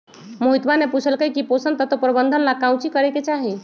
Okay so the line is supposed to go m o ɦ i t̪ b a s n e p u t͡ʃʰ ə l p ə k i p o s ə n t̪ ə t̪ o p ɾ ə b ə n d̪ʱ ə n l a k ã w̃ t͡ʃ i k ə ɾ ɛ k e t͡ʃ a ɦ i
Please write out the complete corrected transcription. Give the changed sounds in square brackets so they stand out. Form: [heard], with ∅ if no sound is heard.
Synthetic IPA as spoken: m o ɦ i t̪ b a [∅] n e p u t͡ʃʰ ə l [k] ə k i p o s ə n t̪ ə t̪ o p ɾ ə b ə n d̪ʱ ə n l a k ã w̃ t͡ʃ i k ə ɾ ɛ k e t͡ʃ a ɦ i

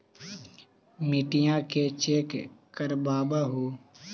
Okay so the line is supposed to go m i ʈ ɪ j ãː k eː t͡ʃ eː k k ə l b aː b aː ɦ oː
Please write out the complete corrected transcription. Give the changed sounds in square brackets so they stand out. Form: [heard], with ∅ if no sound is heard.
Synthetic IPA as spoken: m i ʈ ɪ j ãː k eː t͡ʃ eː k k ə [ɾ] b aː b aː ɦ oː

